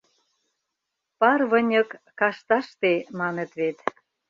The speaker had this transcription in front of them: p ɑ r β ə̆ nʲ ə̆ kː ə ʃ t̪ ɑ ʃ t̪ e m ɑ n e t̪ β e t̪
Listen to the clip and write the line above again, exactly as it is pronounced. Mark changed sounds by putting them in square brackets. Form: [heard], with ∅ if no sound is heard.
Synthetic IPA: p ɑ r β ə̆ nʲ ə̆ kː [ɑ] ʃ t̪ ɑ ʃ t̪ e m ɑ n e t̪ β e t̪